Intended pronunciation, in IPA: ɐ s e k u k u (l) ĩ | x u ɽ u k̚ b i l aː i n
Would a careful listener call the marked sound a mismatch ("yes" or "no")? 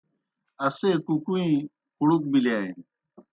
yes